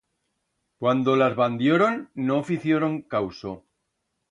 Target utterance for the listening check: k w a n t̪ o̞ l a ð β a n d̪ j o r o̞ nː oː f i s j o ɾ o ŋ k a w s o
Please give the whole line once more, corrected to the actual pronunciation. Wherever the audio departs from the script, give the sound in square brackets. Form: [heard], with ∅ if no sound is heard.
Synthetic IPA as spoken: k w a n [d̪] o̞ l a [z] β a n d̪ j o [ɾ] o̞ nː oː f i [θ] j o ɾ o ŋ k a w s o